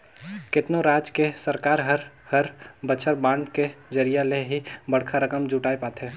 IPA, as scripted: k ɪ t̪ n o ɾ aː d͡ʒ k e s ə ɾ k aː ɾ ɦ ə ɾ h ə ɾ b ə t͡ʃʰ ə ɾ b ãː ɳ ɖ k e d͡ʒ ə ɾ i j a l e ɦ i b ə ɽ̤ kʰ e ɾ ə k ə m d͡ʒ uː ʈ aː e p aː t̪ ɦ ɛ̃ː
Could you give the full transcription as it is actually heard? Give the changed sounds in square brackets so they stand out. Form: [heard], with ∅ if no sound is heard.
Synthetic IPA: k ɪ t̪ n o ɾ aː d͡ʒ k e s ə ɾ k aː ɾ ɦ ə ɾ h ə ɾ b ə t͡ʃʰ ə ɾ b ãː ɳ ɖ k e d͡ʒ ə ɾ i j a l e ɦ i b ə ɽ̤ kʰ [a] ɾ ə k ə m d͡ʒ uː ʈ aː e p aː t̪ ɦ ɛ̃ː